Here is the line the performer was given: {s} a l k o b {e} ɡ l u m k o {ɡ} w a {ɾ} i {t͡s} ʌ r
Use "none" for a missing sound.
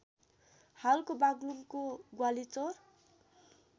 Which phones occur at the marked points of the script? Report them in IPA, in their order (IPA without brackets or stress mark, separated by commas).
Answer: h, a, ɡ, l, t͡s